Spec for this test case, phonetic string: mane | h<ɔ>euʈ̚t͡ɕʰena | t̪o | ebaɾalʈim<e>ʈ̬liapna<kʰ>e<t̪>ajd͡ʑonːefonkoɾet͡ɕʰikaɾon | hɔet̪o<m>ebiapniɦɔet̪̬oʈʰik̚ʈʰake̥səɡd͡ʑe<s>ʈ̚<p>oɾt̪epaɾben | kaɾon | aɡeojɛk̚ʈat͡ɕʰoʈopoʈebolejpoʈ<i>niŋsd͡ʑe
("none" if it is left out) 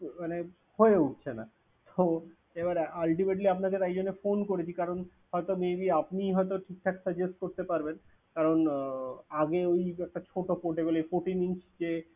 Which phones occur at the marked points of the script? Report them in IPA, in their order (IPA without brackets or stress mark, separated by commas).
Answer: o, e, k, t̪, m, s, k, i